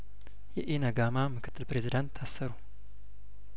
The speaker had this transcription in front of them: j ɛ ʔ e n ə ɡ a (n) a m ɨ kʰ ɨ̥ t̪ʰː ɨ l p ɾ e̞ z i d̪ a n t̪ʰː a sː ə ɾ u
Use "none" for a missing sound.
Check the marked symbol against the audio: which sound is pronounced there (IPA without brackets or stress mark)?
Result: m